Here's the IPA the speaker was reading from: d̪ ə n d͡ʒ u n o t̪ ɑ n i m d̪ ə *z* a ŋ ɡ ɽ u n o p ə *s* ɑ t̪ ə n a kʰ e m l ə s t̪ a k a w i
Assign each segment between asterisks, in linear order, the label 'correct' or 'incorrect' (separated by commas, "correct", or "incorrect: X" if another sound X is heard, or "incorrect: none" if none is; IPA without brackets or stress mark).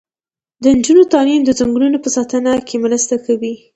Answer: correct, correct